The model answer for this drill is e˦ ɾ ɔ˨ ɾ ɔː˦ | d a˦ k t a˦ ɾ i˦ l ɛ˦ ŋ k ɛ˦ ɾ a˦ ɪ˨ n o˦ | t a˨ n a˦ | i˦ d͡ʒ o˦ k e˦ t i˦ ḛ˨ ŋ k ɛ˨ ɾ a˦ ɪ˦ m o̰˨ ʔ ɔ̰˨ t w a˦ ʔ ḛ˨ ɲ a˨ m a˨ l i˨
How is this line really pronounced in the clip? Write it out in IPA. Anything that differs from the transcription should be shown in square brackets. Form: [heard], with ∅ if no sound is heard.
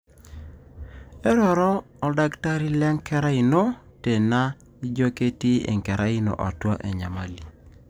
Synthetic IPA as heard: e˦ ɾ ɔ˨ ɾ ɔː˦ | d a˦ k t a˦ ɾ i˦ l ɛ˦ ŋ k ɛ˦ ɾ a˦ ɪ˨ n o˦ | t [e˨] n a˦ | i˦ d͡ʒ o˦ k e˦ t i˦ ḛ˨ ŋ k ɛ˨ ɾ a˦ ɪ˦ [n] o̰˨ ʔ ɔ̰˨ t w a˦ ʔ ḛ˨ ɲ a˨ m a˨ l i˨

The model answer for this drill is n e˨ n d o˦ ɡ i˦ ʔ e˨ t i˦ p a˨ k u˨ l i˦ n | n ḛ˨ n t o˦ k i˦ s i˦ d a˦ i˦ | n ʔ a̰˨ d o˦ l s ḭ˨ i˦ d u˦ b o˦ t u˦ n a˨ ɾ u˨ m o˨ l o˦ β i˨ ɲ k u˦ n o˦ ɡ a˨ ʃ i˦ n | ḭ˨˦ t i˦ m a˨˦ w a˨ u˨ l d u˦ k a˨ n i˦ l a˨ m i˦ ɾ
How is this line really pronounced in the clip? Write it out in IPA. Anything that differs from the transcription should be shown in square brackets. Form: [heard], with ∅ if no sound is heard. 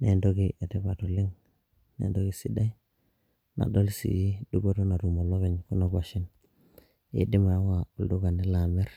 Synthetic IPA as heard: n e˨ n d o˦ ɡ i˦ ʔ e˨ t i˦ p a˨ [t] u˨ l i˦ [ŋ] | n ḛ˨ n [d] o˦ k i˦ s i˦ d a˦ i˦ | n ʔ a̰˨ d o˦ l s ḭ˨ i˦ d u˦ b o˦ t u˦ n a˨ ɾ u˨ m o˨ l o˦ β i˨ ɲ k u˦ n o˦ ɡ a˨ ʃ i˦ n | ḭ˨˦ [d] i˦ m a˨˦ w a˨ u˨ l d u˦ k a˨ n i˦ l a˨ m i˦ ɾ

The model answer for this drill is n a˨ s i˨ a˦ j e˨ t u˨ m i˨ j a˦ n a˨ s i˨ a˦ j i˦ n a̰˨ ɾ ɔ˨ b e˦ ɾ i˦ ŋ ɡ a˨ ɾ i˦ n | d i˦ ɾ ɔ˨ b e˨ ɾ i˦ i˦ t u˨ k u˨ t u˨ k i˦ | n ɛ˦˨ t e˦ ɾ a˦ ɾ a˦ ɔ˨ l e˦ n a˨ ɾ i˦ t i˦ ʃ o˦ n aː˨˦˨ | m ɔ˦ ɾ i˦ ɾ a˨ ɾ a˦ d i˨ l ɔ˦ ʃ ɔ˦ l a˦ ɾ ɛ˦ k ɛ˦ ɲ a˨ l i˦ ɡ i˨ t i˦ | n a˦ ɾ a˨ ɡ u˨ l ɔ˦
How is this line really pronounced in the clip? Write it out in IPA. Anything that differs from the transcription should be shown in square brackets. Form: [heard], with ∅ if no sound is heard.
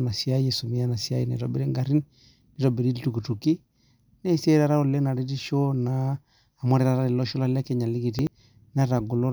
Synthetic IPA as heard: n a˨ s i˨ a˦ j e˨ [s] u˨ m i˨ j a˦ n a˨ s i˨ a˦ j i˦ n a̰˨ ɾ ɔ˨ b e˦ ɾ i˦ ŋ ɡ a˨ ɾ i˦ n | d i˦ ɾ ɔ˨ b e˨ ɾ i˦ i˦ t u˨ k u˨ t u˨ k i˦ | n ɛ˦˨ [s] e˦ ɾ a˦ ɾ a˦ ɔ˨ l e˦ n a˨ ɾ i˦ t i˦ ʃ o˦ n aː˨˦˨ | m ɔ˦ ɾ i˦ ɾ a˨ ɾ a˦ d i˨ l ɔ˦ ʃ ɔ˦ l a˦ [l] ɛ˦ k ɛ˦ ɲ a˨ l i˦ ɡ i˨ t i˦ | n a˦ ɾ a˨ ɡ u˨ l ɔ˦

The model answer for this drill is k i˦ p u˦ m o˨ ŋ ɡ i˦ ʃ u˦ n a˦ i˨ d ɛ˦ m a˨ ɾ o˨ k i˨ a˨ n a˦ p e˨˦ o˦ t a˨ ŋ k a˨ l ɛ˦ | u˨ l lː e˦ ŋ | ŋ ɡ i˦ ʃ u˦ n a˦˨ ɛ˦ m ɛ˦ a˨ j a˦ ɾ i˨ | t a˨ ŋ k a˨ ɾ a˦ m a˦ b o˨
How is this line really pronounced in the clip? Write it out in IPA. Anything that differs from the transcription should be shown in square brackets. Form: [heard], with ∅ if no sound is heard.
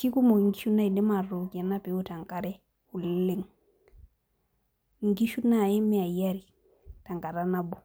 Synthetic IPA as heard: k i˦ [k] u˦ m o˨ ŋ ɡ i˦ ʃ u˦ n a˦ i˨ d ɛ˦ m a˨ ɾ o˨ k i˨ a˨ n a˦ p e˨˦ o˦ t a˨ ŋ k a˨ [ɾ] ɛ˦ | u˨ l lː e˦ ŋ | ŋ ɡ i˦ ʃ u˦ n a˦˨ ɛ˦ m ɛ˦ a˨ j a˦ ɾ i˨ | t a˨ ŋ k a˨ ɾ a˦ [n] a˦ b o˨

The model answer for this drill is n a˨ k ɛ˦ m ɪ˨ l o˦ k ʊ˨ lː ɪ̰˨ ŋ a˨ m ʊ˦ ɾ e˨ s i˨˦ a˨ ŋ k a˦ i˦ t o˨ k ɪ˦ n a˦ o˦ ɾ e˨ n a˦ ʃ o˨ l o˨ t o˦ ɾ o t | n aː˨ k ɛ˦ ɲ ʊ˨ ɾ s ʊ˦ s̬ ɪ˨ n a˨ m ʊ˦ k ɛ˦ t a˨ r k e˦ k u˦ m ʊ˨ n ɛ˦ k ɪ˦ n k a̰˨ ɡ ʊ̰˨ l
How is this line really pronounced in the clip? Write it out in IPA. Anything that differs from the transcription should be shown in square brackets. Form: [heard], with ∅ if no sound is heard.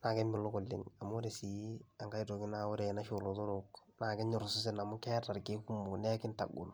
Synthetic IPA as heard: n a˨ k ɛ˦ m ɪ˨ l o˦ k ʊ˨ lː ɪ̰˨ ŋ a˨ m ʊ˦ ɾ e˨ s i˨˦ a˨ ŋ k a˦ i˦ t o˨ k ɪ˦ n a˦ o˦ ɾ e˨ n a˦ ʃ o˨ l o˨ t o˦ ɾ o [k] | n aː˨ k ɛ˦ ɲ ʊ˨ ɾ s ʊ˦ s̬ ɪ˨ n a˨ m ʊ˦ k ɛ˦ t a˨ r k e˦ k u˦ m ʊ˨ n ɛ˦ k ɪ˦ n [t] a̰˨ ɡ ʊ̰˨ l

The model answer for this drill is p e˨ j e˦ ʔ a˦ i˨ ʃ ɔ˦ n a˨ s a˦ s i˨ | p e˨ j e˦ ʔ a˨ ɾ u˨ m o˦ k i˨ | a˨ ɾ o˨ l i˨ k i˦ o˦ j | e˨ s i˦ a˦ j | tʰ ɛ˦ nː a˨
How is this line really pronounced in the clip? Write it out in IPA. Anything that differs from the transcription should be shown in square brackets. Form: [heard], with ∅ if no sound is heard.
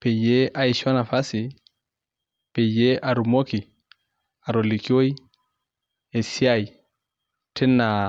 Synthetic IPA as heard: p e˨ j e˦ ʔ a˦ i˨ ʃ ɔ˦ n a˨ [f] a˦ s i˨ | p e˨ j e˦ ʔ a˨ ɾ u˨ m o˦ k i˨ | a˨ ɾ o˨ l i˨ k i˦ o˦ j | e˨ s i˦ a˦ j | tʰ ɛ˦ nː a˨

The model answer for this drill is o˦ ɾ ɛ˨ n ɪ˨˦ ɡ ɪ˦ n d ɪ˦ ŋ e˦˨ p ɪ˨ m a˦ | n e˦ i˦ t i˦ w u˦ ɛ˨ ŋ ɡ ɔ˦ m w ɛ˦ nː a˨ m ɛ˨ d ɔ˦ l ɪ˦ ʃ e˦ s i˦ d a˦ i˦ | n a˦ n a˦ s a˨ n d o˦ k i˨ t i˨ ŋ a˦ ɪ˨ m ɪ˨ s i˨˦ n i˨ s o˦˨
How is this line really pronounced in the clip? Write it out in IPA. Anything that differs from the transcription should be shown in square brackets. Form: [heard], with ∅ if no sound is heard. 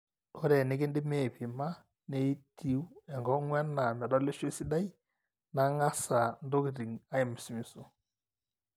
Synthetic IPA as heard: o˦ ɾ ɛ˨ n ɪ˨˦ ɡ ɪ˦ n d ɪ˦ [m] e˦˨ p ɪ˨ m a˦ | n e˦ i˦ t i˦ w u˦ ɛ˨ ŋ ɡ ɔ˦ [ŋ] w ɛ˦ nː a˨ m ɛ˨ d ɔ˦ l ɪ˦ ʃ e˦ s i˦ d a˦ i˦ | n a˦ [ŋ] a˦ s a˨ n d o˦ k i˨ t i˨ ŋ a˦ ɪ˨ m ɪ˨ s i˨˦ [m] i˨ s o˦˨

